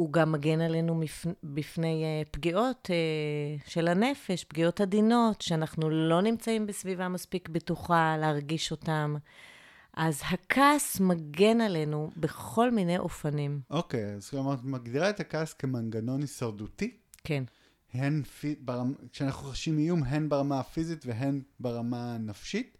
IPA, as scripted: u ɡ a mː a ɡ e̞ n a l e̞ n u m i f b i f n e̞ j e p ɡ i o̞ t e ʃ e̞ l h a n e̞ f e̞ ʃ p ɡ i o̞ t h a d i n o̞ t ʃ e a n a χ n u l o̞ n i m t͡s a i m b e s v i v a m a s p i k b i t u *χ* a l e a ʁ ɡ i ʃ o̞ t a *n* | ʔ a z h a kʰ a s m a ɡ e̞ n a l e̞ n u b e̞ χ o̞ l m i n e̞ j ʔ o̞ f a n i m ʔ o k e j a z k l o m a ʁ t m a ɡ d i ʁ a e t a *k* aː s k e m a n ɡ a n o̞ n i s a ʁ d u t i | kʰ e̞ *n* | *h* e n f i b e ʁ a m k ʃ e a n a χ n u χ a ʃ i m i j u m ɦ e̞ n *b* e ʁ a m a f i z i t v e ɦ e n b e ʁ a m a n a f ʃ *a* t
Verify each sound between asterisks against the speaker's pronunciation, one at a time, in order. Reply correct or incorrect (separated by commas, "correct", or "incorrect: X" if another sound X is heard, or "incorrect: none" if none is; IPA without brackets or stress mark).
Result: correct, incorrect: m, correct, correct, correct, correct, incorrect: i